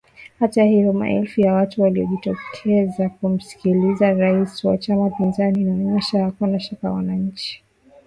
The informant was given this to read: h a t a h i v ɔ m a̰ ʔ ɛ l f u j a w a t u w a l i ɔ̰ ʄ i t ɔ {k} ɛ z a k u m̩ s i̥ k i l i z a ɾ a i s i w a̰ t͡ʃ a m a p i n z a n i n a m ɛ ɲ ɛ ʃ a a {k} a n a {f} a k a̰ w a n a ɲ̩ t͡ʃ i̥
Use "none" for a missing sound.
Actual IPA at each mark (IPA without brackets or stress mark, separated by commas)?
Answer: kʰ, k, ʃ